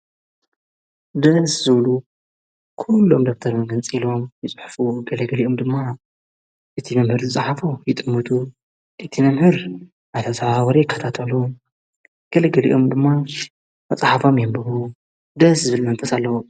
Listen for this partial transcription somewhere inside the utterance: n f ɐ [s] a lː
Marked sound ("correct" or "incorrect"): correct